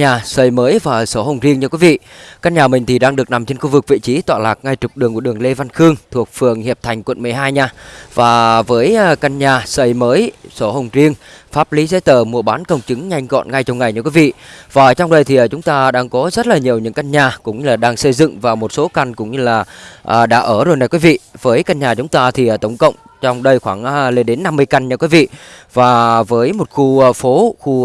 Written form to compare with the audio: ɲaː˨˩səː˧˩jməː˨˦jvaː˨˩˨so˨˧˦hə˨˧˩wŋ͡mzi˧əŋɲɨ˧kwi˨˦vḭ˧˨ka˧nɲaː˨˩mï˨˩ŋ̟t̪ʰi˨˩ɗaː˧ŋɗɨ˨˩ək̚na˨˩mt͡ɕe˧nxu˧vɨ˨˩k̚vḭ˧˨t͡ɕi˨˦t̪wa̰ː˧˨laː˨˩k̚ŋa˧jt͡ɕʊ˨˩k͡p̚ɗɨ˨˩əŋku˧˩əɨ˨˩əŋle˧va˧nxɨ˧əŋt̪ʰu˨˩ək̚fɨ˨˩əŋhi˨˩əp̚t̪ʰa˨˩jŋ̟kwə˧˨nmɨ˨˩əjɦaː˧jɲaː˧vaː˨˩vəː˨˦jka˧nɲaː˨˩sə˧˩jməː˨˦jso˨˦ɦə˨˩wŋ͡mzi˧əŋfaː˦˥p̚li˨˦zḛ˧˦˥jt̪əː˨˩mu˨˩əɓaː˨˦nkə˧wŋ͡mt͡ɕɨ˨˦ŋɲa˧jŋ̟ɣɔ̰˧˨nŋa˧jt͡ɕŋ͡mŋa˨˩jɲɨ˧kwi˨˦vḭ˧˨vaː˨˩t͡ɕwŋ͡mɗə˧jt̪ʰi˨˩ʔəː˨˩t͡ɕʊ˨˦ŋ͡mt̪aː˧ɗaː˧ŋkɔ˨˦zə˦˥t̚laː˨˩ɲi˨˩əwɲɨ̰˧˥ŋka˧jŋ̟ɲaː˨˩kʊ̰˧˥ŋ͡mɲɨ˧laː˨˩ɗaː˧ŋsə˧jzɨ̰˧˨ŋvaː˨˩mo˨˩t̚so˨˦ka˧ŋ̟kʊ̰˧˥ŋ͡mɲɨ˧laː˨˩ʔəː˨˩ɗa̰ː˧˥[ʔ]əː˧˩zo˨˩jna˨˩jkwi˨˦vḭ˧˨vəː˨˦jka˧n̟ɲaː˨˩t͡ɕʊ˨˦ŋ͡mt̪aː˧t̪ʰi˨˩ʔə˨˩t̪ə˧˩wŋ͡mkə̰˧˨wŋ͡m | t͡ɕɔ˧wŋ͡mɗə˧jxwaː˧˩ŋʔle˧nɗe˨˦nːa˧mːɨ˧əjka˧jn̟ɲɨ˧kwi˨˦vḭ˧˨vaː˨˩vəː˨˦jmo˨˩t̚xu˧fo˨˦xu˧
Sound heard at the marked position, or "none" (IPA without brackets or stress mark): ʔ